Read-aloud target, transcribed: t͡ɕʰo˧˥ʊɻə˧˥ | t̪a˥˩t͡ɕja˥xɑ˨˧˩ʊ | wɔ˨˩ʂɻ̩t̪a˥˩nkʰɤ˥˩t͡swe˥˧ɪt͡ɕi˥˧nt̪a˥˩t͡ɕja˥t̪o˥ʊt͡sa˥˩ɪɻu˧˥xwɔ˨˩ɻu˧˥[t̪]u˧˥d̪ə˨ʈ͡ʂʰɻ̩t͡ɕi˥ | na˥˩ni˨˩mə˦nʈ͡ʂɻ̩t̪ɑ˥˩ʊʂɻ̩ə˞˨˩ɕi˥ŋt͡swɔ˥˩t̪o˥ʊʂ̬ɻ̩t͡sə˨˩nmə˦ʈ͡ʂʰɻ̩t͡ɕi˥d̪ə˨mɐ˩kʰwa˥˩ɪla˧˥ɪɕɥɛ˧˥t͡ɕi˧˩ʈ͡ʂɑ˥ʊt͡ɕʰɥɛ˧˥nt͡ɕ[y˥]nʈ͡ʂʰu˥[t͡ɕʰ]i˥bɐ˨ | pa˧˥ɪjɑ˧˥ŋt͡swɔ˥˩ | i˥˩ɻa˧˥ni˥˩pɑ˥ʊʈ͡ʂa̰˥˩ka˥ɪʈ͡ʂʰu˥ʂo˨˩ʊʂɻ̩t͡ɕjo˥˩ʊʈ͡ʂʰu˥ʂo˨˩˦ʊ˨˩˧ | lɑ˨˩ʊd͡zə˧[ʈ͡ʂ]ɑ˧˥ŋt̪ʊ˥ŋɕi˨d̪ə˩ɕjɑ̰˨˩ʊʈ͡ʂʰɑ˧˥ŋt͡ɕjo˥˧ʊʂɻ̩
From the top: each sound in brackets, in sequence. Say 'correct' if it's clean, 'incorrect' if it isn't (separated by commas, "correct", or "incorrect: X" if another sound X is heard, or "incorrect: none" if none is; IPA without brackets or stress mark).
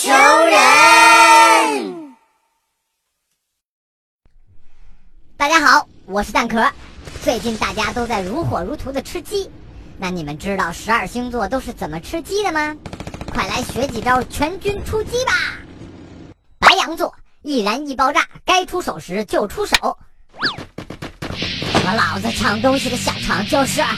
incorrect: t̪ʰ, correct, incorrect: t͡ɕ, incorrect: ʈ͡ʂʰ